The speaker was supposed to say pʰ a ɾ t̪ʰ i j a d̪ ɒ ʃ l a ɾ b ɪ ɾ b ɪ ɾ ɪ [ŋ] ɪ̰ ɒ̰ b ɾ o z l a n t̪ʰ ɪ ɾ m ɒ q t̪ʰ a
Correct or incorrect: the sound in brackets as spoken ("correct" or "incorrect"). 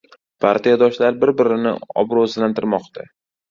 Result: incorrect